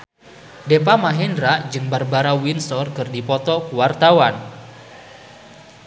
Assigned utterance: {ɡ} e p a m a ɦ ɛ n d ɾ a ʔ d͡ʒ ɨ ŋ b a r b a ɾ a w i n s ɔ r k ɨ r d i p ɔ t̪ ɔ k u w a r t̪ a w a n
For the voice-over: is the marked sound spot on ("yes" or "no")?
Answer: no